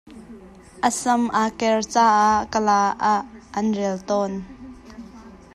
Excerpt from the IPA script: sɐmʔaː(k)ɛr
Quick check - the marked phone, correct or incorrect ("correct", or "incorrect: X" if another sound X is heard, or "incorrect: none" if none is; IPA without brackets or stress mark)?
correct